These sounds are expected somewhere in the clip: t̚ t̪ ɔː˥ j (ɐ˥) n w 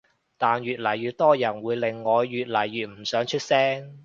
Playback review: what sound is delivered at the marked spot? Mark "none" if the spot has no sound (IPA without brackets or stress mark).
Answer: ɐ˨˩